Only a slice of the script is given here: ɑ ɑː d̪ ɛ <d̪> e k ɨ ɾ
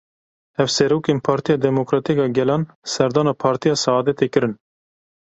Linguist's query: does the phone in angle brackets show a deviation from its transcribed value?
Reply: yes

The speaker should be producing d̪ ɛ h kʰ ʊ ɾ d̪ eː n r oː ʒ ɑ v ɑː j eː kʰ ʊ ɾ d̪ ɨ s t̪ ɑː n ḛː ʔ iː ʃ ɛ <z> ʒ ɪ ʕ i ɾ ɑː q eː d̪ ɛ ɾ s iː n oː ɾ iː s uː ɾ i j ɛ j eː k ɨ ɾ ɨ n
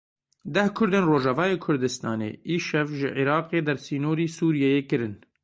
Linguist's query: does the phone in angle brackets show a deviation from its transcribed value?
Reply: yes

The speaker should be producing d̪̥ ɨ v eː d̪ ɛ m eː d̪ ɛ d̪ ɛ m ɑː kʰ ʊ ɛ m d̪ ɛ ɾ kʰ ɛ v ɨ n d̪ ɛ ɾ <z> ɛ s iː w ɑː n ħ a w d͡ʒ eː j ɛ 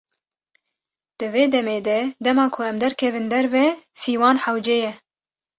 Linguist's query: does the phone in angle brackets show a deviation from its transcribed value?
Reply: yes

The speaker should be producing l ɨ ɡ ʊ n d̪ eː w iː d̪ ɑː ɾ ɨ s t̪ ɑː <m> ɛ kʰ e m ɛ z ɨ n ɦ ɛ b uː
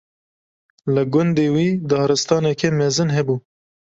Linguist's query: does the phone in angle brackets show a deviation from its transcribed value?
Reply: yes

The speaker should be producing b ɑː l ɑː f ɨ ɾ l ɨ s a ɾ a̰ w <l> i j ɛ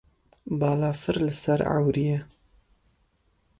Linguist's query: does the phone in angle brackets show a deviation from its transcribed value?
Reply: yes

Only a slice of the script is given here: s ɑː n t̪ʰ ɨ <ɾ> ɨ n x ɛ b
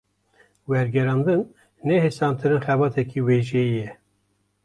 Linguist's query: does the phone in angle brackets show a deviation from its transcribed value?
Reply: no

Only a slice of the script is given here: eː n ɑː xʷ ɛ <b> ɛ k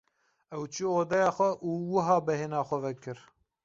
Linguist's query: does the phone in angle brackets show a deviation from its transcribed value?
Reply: yes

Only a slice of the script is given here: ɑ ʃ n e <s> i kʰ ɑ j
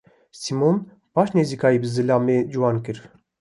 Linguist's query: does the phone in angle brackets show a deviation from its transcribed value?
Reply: yes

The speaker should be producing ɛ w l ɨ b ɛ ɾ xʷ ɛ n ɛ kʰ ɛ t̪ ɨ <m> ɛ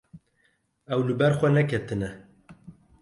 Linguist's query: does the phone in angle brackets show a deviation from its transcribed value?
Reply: yes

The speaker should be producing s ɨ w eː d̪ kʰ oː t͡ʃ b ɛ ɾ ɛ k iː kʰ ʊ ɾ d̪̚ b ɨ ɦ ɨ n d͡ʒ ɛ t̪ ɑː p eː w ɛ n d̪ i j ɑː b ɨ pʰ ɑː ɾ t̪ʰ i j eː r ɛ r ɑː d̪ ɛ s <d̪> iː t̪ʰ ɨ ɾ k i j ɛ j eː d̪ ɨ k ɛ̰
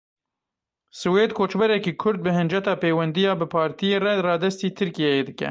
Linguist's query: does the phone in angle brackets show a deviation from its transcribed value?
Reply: yes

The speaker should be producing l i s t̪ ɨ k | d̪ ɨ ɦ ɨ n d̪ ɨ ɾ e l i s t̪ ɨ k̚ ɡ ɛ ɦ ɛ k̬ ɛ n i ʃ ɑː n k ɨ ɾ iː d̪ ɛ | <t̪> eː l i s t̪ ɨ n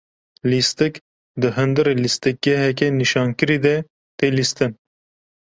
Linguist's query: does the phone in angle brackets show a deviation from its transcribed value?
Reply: no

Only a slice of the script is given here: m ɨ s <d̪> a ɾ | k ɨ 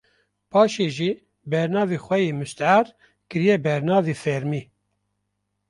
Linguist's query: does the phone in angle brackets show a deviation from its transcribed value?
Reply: yes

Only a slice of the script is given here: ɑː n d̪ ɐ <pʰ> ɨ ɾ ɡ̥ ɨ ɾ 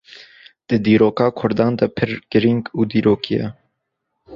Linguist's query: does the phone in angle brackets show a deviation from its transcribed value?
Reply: no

